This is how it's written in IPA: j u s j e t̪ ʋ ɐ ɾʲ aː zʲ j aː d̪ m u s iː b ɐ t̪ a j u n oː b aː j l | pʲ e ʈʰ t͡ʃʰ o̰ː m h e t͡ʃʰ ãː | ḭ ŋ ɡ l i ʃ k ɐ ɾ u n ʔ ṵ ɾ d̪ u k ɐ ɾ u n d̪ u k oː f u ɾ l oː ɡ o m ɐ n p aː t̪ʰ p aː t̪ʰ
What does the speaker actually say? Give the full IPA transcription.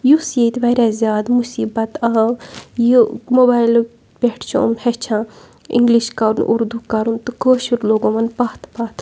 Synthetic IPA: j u s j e t̪ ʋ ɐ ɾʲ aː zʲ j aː d̪ m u s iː b ɐ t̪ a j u m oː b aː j l | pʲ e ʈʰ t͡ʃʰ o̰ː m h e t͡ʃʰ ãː | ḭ ŋ ɡ l i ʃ k ɐ ɾ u n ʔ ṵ ɾ d̪ u k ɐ ɾ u n t̪ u k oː ʃ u ɾ l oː ɡ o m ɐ n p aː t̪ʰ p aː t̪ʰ

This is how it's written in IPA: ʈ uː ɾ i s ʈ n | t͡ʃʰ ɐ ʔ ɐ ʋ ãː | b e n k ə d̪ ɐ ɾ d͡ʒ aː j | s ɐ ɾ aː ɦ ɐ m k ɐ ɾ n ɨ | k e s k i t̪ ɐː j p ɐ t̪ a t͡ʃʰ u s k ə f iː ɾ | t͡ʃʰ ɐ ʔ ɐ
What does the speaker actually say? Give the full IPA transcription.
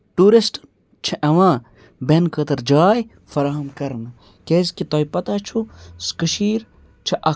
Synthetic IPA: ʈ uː ɾ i s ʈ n | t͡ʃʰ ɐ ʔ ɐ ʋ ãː | b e n k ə t̪ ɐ ɾ d͡ʒ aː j | f ɐ ɾ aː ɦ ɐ m k ɐ ɾ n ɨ | k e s k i t̪ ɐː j p ɐ t̪ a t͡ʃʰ u s k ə ʃ iː ɾ | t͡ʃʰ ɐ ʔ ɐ

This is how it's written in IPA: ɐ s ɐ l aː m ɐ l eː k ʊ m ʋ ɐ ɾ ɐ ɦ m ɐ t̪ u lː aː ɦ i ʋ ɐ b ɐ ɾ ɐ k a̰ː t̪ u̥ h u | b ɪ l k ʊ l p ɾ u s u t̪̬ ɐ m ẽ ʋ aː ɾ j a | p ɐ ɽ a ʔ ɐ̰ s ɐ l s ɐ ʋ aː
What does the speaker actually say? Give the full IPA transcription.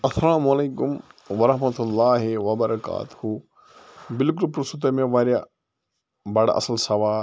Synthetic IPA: ɐ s ɐ l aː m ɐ l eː k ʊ m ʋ ɐ ɾ ɐ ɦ m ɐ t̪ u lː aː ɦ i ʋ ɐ b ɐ ɾ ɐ k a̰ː t̪ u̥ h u | b ɪ l k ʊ l p ɾ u s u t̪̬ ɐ m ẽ ʋ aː ɾ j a | b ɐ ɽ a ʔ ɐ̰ s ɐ l s ɐ ʋ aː

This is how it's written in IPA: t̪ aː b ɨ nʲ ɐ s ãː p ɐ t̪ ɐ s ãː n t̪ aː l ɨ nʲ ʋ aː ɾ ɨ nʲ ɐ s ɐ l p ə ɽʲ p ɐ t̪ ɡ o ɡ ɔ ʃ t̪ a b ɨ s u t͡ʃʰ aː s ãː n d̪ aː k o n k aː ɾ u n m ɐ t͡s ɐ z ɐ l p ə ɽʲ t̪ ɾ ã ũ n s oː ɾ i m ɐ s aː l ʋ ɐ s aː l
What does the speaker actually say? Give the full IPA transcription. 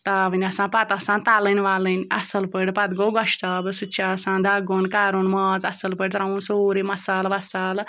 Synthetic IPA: t̪ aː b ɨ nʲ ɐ s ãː p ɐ t̪ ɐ s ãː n t̪ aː l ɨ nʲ ʋ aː l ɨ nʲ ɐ s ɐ l p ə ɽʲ p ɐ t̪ ɡ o ɡ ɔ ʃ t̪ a b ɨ s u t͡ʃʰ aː s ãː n d̪ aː ɡ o n k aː ɾ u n m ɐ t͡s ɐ s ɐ l p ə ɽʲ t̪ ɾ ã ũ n s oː ɾ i m ɐ s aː l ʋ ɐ s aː l

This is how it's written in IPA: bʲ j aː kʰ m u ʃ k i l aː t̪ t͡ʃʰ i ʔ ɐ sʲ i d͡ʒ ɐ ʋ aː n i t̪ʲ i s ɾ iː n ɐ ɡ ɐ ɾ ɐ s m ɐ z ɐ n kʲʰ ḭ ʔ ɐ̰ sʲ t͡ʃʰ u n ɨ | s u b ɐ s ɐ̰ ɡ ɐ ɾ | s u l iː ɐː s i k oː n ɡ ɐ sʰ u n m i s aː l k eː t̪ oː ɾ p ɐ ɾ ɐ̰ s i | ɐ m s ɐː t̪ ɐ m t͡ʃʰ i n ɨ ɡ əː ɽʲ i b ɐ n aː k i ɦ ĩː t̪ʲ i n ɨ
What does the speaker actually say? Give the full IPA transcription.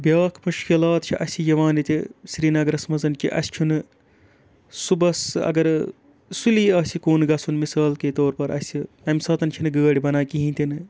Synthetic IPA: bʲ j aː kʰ m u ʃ k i l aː t̪ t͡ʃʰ i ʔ ɐ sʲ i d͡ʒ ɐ ʋ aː n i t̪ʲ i s ɾ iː n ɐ ɡ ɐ ɾ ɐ s m ɐ z ɐ n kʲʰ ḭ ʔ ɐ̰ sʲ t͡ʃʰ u n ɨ | s u b ɐ s ɐ̰ ɡ ɐ ɾ | s u l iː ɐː s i k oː n ɡ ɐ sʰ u n m i s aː l k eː t̪ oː ɾ p ɐ ɾ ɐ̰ s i | ɐ m s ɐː t̪ ɐ n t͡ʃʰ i n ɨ ɡ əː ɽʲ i b ɐ n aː k i ɦ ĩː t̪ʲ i n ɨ

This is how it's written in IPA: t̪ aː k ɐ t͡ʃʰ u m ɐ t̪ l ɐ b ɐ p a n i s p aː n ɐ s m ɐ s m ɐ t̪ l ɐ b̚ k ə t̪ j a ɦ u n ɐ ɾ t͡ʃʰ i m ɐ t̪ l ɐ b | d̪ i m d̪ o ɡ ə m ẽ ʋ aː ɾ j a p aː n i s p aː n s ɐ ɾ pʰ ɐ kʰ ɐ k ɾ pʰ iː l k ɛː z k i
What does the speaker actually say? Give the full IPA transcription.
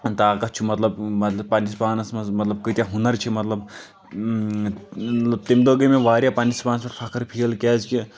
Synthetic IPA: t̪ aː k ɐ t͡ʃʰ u m ɐ t̪ l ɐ b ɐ p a n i s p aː n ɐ s m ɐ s m ɐ t̪ l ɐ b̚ k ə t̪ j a ɦ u n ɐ ɾ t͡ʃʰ i m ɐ t̪ l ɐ b | t̪ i m d̪ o ɡ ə m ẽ ʋ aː ɾ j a p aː n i s p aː n s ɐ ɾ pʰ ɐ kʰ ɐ ɾ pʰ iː l k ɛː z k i

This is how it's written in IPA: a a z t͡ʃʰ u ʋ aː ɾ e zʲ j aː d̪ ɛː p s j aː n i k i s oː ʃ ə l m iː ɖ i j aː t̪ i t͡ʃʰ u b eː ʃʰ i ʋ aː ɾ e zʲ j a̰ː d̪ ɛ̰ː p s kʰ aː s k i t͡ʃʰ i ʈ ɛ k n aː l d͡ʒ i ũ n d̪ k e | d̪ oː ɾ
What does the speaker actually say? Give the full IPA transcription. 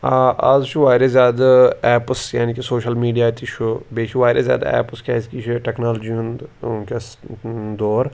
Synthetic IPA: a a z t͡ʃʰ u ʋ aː ɾ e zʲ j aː d̪ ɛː p s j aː n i k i s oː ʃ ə l m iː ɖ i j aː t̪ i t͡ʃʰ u b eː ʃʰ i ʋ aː ɾ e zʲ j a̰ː d̪ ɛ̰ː p s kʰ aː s k i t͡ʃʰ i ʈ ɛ k n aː l d͡ʒ i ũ n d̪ k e | d̪ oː ɾ

